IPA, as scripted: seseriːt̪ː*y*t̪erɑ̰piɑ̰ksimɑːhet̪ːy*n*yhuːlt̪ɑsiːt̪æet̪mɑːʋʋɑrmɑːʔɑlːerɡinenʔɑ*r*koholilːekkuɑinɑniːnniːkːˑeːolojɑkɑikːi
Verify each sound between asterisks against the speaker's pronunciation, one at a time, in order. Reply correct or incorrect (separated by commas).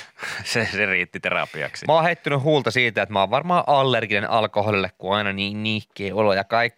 incorrect, correct, incorrect